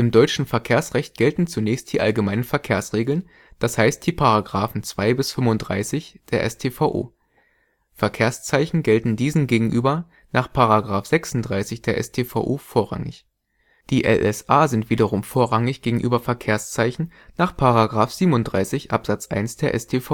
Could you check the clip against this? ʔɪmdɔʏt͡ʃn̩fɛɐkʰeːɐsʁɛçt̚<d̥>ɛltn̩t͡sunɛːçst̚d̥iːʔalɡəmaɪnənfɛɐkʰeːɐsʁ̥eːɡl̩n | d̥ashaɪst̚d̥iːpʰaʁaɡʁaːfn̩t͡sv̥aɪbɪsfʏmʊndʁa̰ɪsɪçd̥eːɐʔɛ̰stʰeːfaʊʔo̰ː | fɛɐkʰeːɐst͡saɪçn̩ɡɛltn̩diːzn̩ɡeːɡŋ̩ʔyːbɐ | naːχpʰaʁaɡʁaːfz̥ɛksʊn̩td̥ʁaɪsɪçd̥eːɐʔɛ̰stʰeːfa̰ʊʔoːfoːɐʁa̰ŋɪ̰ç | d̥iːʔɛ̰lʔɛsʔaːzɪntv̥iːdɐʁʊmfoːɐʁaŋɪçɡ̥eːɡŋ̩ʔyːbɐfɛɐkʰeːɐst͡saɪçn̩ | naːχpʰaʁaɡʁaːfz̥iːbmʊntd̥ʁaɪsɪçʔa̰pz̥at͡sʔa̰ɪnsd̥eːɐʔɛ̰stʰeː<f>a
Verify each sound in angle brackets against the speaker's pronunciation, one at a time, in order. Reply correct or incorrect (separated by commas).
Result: incorrect, correct